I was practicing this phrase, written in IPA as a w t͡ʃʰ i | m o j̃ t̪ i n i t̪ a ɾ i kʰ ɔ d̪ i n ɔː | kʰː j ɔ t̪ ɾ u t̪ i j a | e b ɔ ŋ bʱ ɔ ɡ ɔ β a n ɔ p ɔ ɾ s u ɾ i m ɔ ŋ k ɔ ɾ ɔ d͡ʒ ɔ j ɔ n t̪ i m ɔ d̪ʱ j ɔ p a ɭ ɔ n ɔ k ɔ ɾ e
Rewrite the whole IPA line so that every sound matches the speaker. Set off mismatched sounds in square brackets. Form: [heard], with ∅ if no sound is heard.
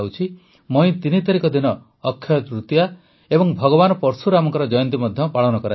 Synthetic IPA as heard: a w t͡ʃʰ i | m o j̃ t̪ i n i t̪ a ɾ i [k] ɔ d̪ i n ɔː | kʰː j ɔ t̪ ɾ u t̪ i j a | e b ɔ ŋ bʱ ɔ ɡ ɔ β a n ɔ p ɔ ɾ s u ɾ [a] m ɔ ŋ k ɔ ɾ ɔ d͡ʒ ɔ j ɔ n t̪ i m ɔ d̪ʱ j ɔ p a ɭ ɔ n ɔ k ɔ ɾ [a]